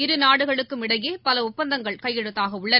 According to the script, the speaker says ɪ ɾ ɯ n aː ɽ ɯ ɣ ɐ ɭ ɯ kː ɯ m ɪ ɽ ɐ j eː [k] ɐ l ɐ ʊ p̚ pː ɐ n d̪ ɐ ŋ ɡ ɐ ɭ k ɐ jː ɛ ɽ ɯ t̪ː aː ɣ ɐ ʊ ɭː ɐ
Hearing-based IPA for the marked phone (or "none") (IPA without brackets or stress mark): p